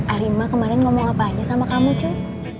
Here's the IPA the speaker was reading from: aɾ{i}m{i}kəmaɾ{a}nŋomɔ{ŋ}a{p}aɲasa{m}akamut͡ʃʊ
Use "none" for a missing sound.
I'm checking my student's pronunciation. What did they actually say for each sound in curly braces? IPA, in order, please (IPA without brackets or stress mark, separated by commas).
i, a, ɛ, ŋ, p, m